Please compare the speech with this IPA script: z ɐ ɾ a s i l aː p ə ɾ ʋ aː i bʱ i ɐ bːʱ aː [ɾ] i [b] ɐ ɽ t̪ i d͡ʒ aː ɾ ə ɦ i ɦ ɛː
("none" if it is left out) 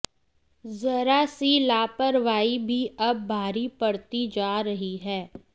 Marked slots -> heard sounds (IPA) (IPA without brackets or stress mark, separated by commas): ɾ, p